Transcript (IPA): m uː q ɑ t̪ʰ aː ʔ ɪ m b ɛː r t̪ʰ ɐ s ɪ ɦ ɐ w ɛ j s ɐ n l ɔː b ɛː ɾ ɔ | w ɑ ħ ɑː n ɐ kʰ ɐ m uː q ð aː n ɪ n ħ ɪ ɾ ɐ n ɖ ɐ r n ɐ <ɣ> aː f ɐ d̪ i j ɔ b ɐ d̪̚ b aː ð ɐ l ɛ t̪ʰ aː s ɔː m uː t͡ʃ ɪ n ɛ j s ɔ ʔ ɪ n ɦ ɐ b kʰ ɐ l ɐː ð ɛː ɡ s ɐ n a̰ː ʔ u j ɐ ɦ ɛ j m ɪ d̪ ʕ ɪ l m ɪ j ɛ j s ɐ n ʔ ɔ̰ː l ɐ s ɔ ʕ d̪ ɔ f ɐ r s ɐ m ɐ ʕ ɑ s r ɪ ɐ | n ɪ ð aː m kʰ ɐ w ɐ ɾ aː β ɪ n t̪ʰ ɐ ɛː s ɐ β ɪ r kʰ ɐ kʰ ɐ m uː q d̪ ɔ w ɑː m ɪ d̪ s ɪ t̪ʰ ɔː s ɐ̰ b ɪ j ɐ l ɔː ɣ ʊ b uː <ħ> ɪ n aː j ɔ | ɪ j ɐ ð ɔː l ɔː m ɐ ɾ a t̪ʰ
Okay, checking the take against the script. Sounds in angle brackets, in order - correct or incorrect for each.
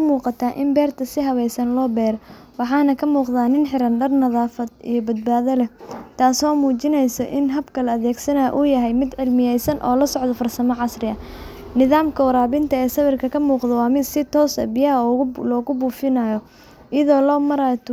incorrect: ð, incorrect: f

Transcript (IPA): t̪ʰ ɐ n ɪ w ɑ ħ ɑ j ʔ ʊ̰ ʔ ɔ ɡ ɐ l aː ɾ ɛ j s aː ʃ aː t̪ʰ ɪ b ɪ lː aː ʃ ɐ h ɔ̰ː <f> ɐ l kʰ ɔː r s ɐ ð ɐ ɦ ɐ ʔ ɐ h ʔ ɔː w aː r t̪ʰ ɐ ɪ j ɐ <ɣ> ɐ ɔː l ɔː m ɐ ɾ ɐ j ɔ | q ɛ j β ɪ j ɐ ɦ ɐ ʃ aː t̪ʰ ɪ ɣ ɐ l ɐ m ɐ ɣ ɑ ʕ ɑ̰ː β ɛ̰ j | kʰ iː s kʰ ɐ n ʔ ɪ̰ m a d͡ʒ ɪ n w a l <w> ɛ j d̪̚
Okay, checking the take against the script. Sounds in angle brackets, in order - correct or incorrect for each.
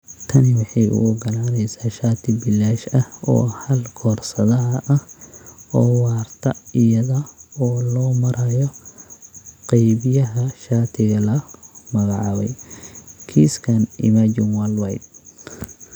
incorrect: h, incorrect: ð, correct

